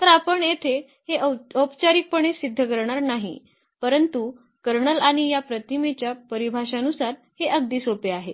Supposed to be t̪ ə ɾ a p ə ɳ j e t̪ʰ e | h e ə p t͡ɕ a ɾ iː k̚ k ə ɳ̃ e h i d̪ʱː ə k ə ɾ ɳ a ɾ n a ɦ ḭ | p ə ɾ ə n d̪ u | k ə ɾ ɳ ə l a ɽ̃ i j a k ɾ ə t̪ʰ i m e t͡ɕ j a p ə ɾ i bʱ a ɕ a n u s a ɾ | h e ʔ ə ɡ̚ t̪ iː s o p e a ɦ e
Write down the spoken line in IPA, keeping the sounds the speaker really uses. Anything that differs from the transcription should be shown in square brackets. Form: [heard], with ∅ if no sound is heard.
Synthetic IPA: t̪ ə ɾ a p ə ɳ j e t̪ʰ e | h e ə p t͡ɕ a ɾ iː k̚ [p] ə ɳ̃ e [s] i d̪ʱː ə k ə ɾ ɳ a ɾ n a ɦ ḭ | p ə ɾ ə n [t̪] u | k ə ɾ ɳ ə l a ɽ̃ i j a [p] ɾ ə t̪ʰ i m e t͡ɕ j a p ə ɾ i bʱ a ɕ a n u s a ɾ | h e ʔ ə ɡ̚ [d̪] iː s o p e a ɦ e